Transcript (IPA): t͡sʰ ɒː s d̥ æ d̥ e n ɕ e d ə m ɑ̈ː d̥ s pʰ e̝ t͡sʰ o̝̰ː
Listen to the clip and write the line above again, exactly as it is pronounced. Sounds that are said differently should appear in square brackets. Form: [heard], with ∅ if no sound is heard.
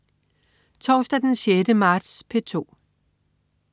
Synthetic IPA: t͡sʰ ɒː s d̥ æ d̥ e n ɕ e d ə m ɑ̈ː d̥ s pʰ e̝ t͡sʰ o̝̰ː